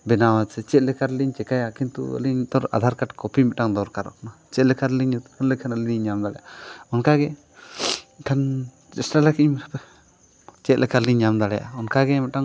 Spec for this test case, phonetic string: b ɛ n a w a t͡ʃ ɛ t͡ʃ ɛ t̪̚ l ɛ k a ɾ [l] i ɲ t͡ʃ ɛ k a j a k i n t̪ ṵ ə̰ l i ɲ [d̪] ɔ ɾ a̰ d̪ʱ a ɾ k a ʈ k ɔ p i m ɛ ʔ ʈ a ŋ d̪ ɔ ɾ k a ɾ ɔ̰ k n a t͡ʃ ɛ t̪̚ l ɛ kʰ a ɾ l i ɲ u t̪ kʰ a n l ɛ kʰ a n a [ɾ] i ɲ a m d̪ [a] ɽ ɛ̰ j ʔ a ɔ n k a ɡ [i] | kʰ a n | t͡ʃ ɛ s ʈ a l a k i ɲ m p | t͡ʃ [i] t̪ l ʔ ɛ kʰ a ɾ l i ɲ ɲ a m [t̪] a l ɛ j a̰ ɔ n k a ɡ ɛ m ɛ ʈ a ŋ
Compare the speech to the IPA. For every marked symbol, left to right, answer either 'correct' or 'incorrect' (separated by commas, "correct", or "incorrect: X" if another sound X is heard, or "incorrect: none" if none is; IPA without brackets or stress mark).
correct, incorrect: t̪, incorrect: l, correct, incorrect: ɛ, incorrect: ɛ, incorrect: d̪